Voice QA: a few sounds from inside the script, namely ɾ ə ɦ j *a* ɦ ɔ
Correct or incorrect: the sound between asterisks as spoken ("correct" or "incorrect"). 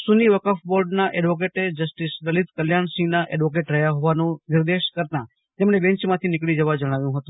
correct